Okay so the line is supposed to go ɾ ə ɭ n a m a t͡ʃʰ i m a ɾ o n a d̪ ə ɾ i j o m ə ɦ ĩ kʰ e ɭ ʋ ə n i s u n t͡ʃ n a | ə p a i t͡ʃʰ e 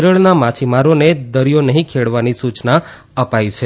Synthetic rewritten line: ɾ ə ɭ n a m a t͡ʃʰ i m a ɾ o n e d̪ ə ɾ i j o n ə ɦ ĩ kʰ e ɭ ʋ a n i s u t͡ʃ n a | ə p a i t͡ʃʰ e